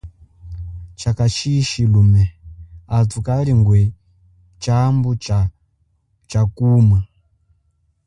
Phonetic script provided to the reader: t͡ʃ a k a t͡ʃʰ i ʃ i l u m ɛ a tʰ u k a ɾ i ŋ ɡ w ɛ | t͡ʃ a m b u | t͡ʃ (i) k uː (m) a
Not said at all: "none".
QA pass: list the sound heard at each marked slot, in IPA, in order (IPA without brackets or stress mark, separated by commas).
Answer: a, m